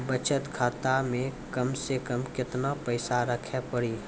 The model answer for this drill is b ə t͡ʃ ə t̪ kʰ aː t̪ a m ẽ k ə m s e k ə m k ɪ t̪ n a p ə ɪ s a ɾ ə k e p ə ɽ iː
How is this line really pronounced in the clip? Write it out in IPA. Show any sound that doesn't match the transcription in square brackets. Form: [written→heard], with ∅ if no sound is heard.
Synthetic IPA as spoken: b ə t͡ʃ ə t̪ kʰ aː t̪ a m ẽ k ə m s e k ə m k ɪ t̪ n a p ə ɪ s a ɾ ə [k→kʰ] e p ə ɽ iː